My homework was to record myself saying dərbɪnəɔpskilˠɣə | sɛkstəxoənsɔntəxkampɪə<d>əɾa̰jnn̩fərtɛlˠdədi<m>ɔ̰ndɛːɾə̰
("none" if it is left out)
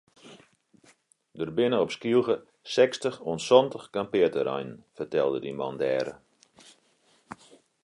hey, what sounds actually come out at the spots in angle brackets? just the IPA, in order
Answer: t, m

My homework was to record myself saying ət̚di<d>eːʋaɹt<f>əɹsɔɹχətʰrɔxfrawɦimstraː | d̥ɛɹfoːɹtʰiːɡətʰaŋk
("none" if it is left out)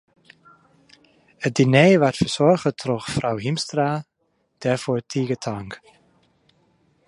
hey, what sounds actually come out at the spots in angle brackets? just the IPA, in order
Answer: n, f

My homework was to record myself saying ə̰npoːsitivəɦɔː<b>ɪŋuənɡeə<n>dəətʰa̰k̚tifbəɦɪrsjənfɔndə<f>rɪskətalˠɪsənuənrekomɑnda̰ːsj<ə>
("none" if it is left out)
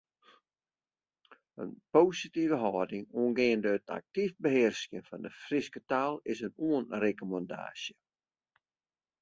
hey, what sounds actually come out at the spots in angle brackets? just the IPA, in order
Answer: d, n, f, ə

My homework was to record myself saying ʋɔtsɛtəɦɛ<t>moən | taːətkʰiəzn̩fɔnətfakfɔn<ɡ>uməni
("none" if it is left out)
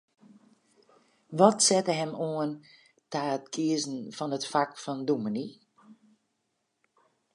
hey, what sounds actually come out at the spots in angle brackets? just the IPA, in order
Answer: none, d

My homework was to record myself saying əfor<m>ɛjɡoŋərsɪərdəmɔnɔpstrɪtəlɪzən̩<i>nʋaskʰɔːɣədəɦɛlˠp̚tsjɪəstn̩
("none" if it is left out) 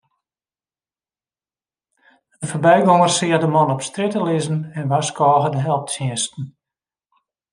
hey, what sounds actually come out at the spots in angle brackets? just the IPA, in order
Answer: b, ɛ

